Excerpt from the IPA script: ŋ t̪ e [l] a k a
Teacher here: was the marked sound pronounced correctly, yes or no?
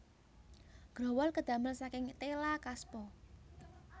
yes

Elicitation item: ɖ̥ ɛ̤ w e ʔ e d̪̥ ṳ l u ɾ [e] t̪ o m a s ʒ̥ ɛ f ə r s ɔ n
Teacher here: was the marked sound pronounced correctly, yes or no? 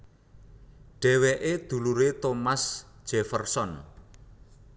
yes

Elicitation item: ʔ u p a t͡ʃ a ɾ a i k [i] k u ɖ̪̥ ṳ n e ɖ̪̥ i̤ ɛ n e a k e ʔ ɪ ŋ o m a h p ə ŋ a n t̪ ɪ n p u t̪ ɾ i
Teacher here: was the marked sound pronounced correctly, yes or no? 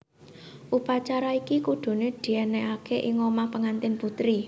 yes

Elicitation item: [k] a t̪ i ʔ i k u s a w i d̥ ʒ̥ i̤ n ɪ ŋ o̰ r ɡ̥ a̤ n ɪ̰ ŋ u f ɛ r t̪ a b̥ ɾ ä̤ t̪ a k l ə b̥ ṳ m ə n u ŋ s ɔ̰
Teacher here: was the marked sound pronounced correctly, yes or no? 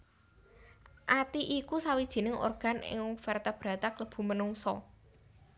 no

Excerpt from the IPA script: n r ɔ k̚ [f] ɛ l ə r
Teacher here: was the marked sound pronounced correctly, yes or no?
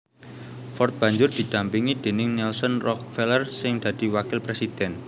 yes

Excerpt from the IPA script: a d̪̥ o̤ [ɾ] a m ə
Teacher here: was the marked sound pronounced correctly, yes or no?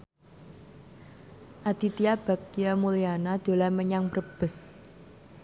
no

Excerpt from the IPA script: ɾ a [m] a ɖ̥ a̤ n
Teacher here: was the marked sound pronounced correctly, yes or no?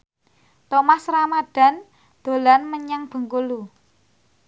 yes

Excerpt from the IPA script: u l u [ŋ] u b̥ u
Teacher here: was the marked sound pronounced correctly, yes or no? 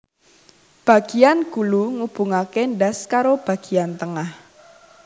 yes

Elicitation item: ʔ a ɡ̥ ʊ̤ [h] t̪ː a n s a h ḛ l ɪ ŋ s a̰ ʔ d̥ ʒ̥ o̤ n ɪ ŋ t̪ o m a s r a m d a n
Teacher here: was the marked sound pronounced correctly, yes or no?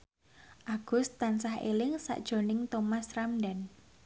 no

